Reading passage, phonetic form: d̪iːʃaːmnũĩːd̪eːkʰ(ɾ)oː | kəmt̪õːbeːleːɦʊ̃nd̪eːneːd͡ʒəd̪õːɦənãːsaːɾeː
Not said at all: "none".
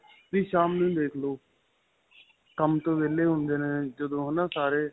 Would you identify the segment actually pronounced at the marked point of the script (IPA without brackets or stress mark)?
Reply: l